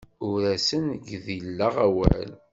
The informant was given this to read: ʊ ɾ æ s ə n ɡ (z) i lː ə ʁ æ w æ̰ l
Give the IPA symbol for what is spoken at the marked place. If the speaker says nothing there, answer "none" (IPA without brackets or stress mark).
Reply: ð